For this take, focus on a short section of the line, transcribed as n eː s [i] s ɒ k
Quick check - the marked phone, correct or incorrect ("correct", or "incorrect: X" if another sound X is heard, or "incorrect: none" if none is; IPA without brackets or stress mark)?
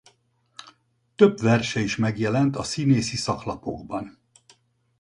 correct